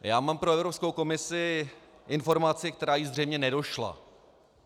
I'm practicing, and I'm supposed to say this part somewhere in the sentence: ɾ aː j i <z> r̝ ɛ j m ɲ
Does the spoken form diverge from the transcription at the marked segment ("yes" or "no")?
no